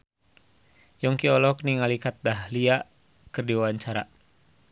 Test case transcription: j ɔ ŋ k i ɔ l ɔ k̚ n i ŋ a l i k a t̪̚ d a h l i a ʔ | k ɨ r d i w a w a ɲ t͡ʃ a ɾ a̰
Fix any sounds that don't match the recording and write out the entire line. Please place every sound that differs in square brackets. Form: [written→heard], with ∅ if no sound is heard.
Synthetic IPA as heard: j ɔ ŋ k i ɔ l ɔ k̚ n i ŋ a l i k a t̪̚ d a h l i a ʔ | k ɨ r d i w a w a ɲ t͡ʃ a ɾ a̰